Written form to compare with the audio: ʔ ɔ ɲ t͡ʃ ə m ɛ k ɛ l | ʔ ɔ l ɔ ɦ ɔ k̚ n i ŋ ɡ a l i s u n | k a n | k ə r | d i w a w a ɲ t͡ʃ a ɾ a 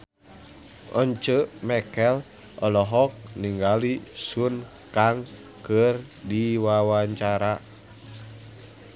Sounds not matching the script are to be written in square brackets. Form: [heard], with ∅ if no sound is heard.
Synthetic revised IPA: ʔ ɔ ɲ t͡ʃ ə m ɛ k ɛ l | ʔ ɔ l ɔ ɦ ɔ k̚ n i ŋ ɡ a l i s u n | k a [ŋ] | k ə r | d i w a w a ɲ t͡ʃ a ɾ a